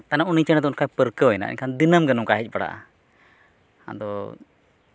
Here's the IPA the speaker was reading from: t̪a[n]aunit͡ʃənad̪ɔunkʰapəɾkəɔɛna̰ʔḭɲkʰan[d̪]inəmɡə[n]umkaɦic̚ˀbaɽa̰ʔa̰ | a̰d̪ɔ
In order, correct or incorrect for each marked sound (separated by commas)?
correct, correct, correct